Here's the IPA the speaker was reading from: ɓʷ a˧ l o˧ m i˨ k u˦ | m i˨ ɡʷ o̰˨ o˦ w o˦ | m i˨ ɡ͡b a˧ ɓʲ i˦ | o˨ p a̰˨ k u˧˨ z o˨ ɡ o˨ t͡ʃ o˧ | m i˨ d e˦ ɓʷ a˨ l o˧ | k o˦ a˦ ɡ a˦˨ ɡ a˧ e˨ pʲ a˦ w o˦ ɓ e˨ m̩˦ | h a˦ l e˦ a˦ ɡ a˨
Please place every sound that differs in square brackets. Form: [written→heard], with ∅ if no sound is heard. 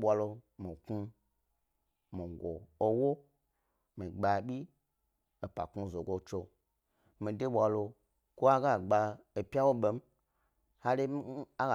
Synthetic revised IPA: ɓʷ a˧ l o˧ m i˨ k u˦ | m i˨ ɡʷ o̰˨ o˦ w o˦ | m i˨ ɡ͡b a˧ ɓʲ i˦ | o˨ p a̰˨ k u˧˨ z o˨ ɡ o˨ t͡ʃ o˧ | m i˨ d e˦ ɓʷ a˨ l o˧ | k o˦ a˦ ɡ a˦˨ [ɡ→ɡ͡b] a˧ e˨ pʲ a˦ w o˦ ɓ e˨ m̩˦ | h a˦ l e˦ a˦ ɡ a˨